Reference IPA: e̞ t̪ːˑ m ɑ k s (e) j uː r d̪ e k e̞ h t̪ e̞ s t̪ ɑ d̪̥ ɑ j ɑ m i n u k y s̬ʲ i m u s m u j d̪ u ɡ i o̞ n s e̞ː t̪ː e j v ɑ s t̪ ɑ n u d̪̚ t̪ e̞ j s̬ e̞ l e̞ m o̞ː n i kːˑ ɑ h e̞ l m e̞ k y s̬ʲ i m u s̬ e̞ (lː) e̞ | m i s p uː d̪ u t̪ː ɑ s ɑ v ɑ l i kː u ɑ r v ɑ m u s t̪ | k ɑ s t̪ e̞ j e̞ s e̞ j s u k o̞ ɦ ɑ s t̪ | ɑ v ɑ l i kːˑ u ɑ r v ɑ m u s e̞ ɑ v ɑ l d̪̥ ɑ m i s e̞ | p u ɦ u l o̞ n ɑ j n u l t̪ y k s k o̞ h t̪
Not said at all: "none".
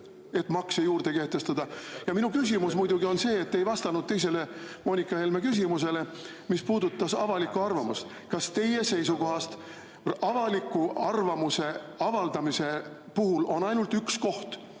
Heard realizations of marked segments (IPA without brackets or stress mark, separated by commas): e, l